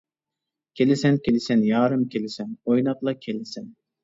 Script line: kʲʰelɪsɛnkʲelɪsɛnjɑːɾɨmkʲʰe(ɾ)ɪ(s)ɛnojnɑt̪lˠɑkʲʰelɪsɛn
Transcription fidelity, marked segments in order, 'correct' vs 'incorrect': incorrect, correct

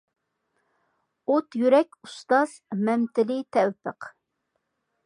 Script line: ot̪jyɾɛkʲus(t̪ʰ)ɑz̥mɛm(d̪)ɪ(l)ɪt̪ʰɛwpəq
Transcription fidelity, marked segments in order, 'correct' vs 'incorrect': incorrect, incorrect, correct

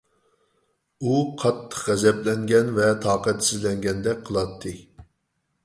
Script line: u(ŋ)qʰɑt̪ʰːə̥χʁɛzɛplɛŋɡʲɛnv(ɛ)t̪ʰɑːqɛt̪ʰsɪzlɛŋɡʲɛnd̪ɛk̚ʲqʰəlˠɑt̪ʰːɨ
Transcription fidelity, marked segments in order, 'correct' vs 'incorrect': incorrect, correct

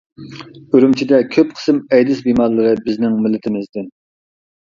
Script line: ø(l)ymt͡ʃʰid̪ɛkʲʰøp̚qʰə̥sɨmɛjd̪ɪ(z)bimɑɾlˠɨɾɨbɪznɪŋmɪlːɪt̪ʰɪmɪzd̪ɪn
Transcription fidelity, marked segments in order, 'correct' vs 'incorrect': incorrect, incorrect

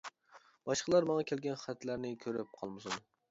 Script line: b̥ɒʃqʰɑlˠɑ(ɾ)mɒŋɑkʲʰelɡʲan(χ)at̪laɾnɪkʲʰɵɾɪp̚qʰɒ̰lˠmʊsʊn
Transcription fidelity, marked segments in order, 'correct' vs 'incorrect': correct, correct

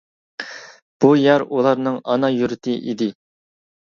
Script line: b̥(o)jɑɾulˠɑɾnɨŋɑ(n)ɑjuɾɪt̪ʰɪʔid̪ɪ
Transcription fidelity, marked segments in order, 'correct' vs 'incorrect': incorrect, correct

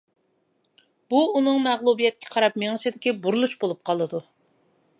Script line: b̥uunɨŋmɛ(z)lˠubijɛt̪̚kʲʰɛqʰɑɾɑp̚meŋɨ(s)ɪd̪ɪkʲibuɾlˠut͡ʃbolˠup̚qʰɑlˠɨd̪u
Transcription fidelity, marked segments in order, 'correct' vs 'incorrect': incorrect, correct

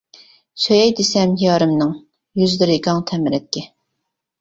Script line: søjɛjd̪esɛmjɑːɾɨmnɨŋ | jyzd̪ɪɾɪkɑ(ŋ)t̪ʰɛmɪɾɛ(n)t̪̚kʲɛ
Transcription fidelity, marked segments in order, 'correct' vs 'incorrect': correct, incorrect

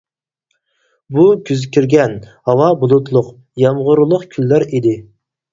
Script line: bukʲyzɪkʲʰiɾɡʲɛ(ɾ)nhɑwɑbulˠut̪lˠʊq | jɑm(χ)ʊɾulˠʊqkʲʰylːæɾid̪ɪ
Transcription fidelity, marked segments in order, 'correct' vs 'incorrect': incorrect, incorrect

